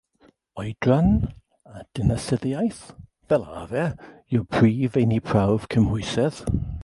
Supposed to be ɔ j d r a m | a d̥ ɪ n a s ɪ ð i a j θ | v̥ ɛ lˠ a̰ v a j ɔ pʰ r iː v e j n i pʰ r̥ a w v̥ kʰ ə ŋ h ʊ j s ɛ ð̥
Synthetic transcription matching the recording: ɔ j d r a n | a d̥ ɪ n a s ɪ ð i a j θ | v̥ ɛ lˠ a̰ v ɛ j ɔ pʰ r iː v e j n i pʰ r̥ a w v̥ kʰ ə m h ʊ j s ɛ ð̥